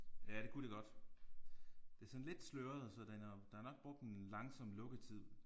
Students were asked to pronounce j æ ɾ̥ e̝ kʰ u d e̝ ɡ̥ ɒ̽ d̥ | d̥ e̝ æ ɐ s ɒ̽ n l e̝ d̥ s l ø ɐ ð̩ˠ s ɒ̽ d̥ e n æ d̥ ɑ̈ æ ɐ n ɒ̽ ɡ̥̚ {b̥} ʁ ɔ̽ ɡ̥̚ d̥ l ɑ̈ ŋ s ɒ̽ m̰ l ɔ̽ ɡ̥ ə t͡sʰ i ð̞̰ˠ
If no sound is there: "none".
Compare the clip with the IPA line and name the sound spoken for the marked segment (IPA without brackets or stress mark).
b̥